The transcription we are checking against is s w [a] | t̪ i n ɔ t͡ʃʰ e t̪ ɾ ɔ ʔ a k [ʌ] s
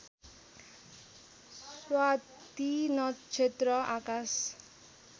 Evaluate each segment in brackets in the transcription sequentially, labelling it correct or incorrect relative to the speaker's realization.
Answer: correct, incorrect: a

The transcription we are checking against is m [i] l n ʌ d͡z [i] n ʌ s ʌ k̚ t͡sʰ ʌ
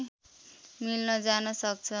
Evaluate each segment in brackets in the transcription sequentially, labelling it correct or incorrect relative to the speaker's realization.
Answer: correct, incorrect: a

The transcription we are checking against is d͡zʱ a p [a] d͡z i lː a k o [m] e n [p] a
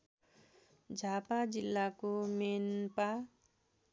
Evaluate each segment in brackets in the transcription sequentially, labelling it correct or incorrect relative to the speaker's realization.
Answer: correct, correct, correct

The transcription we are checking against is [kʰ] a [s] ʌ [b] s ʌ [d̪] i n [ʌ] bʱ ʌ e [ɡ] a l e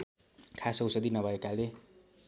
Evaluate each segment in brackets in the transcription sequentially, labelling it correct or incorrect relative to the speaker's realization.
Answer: correct, correct, incorrect: w, correct, correct, incorrect: k

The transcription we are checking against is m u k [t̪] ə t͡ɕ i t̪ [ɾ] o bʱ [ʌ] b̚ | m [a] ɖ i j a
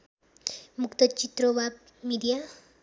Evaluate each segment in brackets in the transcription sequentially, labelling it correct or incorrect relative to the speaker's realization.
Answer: correct, correct, incorrect: a, incorrect: i

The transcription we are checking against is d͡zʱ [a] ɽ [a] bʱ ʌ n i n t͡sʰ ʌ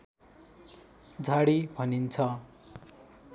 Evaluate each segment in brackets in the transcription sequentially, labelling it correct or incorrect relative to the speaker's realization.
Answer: correct, incorrect: i

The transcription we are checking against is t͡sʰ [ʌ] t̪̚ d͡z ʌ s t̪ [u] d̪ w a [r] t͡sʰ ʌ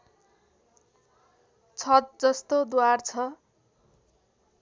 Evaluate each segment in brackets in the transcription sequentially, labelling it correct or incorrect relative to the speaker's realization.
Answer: correct, incorrect: o, correct

